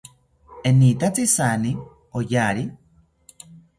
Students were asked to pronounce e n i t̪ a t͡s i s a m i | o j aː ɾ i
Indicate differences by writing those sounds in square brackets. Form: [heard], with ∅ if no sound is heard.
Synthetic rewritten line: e n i t̪ a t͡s i s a [n] i | o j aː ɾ i